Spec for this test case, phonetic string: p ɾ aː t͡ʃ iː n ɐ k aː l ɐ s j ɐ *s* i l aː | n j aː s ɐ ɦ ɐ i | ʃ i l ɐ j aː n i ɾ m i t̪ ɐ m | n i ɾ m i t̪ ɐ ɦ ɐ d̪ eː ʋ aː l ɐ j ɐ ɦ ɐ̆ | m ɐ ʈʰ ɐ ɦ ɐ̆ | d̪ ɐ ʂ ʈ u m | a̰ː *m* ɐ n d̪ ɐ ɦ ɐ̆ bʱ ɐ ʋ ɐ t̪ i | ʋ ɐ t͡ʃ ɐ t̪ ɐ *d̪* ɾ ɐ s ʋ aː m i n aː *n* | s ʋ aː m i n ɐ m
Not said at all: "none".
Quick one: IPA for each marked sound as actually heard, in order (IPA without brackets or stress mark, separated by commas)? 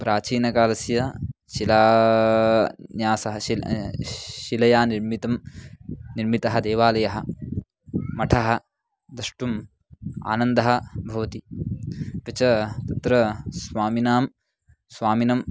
ʃ, n, t̪, m